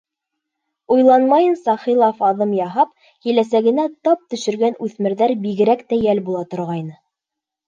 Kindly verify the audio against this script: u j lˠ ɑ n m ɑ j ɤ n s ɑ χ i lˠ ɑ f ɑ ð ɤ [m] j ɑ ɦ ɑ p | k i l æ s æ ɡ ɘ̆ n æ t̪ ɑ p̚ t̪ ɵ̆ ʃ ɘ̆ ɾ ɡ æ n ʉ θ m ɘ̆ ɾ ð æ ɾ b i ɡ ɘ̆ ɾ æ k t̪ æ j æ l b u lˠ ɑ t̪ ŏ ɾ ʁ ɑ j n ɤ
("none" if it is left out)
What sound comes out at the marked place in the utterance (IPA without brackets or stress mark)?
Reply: m